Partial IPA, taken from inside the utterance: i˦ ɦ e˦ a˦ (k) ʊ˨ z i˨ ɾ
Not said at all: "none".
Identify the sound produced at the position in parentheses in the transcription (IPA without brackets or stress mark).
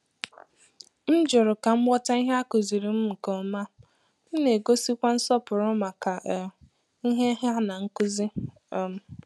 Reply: k